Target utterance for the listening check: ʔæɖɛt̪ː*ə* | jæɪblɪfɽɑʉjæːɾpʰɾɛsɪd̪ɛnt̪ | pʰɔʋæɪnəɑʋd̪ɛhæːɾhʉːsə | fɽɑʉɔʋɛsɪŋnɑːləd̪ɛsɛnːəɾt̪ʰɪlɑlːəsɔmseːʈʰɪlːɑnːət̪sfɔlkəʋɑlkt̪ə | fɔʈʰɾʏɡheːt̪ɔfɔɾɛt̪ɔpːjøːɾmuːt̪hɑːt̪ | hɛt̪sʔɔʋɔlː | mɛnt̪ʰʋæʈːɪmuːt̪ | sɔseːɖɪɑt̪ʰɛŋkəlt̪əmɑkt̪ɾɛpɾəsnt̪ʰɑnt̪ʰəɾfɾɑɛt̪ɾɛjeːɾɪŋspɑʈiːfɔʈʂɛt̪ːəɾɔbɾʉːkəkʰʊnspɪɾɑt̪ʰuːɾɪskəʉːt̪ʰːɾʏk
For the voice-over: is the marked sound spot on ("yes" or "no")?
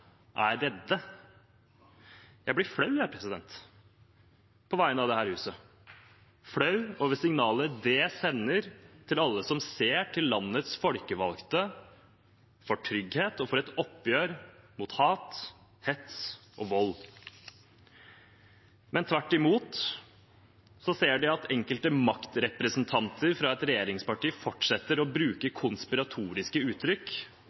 yes